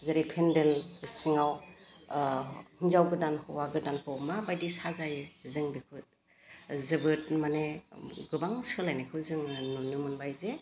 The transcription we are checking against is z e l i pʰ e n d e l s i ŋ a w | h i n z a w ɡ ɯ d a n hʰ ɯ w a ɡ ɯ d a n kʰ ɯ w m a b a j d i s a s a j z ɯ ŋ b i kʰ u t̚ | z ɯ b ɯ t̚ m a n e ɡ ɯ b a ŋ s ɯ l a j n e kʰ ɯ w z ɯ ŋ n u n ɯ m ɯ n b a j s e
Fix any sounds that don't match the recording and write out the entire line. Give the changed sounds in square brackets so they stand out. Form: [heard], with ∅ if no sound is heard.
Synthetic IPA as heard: z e [ɾ] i pʰ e n d e l s i ŋ a w | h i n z a w ɡ ɯ d a n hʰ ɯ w a ɡ ɯ d a n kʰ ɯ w m a b a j d i s a [z] a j z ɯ ŋ b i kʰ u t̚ | z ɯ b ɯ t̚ m a n e ɡ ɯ b a ŋ s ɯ l a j n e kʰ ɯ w z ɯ ŋ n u n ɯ m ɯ n b a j [z] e